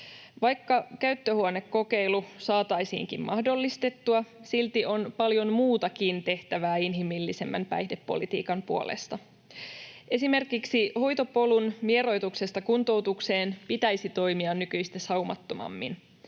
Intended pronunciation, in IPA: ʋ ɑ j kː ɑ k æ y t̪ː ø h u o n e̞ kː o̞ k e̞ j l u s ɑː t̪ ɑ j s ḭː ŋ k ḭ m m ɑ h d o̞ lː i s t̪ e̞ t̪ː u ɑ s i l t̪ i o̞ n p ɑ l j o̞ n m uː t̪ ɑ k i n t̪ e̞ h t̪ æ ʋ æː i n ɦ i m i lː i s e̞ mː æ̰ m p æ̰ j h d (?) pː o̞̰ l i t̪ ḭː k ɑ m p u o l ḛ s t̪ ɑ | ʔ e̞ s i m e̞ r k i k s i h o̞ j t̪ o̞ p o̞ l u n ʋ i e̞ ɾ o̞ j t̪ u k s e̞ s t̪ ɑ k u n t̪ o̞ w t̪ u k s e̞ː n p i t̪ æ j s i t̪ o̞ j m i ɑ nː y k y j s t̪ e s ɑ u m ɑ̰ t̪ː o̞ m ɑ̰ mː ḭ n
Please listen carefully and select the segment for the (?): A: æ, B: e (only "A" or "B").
B